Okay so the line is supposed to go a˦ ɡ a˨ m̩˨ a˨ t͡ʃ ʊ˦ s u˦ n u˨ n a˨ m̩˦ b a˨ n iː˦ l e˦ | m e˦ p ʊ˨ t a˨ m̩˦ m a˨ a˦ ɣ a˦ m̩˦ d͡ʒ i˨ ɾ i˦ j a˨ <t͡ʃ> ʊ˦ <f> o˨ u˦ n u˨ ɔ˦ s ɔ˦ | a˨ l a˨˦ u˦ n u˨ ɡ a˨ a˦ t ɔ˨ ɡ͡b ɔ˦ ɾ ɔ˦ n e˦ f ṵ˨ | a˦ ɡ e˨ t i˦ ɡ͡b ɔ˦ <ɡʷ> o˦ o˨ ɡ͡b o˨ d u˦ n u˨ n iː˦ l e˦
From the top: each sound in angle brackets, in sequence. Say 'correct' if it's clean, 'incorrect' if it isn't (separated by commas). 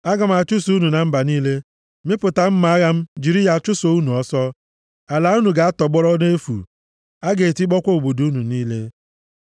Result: correct, incorrect, incorrect